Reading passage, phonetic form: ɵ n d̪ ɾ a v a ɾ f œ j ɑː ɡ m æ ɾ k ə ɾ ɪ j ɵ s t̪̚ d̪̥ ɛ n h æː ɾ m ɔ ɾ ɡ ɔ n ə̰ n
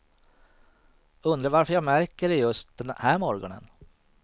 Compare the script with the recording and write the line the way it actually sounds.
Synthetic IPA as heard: ɵ n d̪ ɾ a v a ɾ f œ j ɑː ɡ m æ ɾ k ə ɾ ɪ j ɵ s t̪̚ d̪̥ ɛ n h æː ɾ m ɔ ɾ ɡ ɔ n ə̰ n

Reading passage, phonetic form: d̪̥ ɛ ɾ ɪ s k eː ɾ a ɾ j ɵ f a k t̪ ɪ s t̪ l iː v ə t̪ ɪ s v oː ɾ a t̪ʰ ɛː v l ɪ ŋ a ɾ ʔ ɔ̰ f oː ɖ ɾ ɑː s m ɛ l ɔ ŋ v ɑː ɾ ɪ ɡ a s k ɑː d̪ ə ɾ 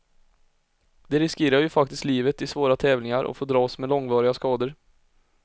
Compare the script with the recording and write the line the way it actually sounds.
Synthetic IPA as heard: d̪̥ ɛ ɾ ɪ s k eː ɾ a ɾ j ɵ f a k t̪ ɪ s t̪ l iː v ə t̪ ɪ s v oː ɾ a t̪ʰ ɛː v l ɪ ŋ a ɾ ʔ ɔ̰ f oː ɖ ɾ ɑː s m ɛ l ɔ ŋ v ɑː ɾ ɪ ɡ a s k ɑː d̪ ə ɾ

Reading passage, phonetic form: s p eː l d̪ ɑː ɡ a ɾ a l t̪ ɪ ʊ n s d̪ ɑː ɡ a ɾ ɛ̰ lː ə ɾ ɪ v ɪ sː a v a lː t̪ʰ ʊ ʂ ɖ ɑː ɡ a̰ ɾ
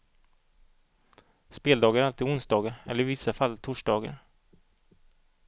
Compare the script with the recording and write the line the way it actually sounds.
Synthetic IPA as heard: s p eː l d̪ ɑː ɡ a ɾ a l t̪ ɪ ʊ n s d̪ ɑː ɡ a ɾ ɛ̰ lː ə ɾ ɪ v ɪ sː a f a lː t̪ʰ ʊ ʂ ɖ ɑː ɡ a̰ ɾ

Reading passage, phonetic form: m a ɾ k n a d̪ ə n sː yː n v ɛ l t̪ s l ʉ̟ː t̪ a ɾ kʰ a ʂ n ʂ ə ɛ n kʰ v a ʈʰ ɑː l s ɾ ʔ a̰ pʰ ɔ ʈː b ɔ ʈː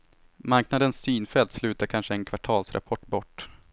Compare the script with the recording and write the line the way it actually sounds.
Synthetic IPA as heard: m a ɾ k n a d̪ ə n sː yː n f ɛ l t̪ s l ʉ̟ː t̪ a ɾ kʰ a n ʂ ə ɛ n kʰ v a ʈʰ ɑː l s ɾ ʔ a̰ pʰ ɔ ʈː b ɔ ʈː

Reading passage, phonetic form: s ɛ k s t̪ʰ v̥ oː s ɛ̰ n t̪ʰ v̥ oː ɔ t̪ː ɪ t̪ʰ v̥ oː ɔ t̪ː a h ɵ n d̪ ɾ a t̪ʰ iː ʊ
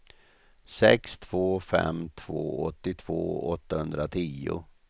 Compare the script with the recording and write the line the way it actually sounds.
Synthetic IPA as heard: s ɛ k s t̪ʰ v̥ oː f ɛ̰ m t̪ʰ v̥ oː ɔ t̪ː ɪ t̪ʰ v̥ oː ɔ t̪ː a h ɵ n d̪ ɾ a t̪ʰ iː ʊ

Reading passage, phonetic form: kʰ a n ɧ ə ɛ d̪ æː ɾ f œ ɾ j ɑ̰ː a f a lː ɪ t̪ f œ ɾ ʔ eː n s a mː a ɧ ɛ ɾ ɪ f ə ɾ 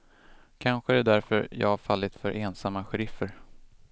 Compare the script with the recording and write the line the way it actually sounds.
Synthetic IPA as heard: kʰ a n ɧ ə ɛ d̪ æ ɾ f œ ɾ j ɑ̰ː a f a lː ɪ t̪ f œ ɾ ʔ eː n s a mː a ɧ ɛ ɾ ɪ f ə ɾ

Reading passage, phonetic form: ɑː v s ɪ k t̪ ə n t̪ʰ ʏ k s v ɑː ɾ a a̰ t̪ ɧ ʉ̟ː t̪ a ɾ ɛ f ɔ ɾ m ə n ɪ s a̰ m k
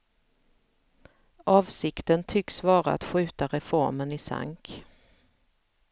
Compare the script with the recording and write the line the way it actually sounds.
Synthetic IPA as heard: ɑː v s ɪ k t̪ ə n t̪ʰ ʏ k s v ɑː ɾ a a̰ t̪ ɧ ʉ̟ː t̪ a ɾ ɛ f ɔ ɾ m ə n ɪ s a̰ ŋ k

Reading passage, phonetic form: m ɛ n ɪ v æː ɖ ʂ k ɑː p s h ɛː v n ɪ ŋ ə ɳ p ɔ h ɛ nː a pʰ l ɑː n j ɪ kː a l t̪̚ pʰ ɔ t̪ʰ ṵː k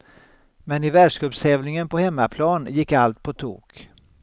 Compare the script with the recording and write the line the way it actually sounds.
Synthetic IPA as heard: m ɛ n ɪ v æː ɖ ʂ k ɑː p s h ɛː v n ɪ ŋ ə n p ɔ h ɛ mː a pʰ l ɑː n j ɪ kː a l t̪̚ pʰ ɔ t̪ʰ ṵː k

